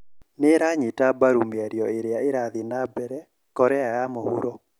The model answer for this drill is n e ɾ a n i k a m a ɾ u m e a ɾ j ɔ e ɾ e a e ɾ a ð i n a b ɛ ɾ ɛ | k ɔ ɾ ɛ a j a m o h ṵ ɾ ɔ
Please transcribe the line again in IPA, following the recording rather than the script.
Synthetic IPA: n e ɾ a ɲ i t a b a ɾ u m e a ɾ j ɔ e ɾ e a e ɾ a ð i n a b ɛ ɾ ɛ | k ɔ ɾ ɛ a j a m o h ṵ ɾ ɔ